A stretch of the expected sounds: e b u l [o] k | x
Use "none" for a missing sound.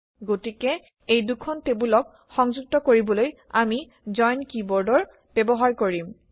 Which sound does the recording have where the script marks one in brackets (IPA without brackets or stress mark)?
ɔ